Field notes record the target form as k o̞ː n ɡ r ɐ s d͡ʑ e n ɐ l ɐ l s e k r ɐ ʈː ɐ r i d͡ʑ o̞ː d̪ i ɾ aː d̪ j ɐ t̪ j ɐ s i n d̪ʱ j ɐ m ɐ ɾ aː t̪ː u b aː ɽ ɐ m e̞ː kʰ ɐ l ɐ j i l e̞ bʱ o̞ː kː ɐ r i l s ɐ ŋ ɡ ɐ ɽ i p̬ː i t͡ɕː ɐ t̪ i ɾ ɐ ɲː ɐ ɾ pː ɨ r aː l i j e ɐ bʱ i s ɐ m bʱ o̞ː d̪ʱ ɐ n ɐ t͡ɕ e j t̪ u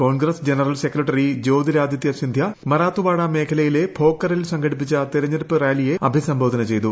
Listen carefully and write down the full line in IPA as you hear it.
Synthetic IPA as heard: k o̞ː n ɡ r ɐ s d͡ʑ e n ɐ r ɐ l s e k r ɐ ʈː ɐ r i d͡ʑ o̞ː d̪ i ɾ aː d̪ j ɐ t̪ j ɐ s i n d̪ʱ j ɐ m ɐ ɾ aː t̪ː u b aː ɽ ɐ m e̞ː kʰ ɐ l ɐ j i l e̞ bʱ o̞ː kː ɐ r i l s ɐ ŋ ɡ ɐ ɽ i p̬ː i t͡ɕː ɐ t̪ i ɾ ɐ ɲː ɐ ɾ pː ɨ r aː l i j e ɐ bʱ i s ɐ m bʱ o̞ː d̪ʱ ɐ n ɐ t͡ɕ e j t̪ u